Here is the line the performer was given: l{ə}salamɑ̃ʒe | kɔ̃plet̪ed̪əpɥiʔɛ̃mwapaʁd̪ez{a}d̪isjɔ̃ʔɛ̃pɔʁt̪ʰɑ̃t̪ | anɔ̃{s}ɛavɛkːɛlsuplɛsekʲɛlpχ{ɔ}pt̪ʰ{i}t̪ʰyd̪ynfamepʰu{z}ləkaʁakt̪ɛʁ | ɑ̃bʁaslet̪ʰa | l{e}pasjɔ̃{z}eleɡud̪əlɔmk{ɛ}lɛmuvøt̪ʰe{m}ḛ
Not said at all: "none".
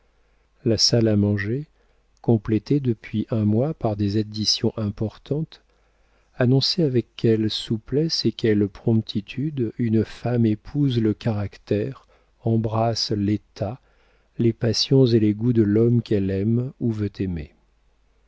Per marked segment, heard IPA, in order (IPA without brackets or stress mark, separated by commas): a, a, s, ɔ̃, i, z, e, z, ɛ, m